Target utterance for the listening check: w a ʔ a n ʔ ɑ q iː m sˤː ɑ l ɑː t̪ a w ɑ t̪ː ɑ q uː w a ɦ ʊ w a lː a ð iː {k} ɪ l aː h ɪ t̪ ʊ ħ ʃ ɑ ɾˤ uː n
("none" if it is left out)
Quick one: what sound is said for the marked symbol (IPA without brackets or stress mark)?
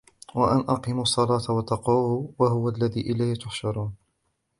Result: ʔ